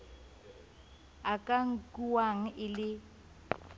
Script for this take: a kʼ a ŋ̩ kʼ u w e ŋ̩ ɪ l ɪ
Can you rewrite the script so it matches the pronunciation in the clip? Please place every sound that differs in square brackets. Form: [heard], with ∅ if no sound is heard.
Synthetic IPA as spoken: a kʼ a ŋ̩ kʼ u w [a] ŋ̩ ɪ l ɪ